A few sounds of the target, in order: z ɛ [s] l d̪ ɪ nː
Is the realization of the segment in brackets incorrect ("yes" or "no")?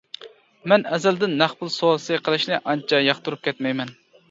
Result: yes